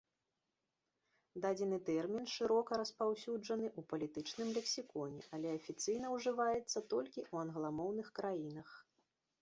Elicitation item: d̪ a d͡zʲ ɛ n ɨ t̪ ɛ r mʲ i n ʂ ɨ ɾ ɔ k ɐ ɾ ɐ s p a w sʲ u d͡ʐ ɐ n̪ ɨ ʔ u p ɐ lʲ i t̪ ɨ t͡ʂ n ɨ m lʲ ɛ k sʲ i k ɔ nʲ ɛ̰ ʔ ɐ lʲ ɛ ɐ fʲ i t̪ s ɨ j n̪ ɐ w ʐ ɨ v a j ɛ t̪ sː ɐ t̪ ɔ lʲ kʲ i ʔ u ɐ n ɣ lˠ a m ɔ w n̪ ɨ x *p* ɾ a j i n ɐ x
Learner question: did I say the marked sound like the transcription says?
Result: no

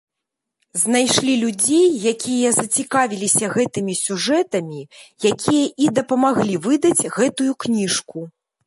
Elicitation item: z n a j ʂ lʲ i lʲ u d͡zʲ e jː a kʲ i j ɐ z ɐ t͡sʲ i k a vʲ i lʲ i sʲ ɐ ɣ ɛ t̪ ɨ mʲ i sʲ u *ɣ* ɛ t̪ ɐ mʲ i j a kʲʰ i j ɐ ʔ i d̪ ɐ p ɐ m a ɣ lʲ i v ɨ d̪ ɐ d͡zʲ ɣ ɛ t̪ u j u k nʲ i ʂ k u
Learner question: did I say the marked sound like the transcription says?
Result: no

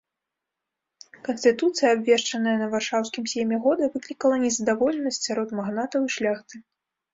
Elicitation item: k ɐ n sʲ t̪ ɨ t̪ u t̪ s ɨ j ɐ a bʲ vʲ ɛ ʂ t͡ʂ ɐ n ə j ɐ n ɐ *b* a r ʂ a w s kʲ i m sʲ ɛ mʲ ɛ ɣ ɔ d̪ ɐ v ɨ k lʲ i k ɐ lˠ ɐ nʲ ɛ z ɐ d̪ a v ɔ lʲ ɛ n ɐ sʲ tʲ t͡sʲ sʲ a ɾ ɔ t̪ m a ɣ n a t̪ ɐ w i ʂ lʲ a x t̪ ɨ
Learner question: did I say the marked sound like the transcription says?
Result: no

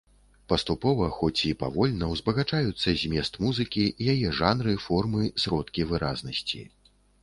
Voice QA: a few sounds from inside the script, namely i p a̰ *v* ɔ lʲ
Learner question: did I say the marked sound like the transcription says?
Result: yes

